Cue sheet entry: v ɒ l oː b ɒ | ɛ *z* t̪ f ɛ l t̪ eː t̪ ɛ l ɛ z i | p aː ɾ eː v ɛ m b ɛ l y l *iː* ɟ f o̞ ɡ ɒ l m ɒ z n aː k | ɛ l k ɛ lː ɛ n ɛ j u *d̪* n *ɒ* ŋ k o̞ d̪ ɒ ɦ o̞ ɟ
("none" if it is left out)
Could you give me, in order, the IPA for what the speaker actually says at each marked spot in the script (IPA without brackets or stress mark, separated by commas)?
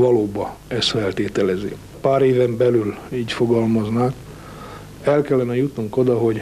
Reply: s, iː, t̪, u